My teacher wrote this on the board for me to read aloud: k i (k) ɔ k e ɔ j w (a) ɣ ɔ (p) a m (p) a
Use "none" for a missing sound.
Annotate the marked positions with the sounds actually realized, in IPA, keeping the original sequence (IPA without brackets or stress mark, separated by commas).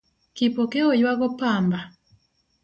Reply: p, a, p, b